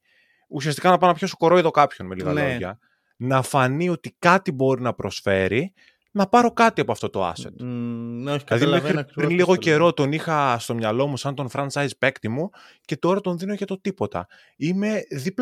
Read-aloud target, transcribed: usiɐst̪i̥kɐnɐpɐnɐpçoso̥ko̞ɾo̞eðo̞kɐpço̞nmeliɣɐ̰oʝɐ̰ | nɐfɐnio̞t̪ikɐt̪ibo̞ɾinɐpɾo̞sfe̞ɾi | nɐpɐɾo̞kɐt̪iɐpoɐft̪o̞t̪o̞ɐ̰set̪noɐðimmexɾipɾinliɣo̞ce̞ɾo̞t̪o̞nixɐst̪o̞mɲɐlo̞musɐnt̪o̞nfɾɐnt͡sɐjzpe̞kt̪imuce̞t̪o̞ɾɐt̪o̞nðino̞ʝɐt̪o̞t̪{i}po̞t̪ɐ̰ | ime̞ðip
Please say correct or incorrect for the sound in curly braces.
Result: correct